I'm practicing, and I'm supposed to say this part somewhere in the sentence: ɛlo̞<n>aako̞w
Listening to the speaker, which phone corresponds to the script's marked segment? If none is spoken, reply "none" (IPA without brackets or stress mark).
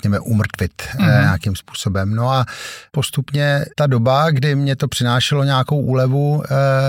ɲ